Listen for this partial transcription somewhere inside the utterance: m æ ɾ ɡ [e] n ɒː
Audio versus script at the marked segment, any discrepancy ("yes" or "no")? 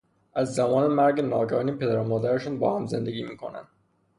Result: no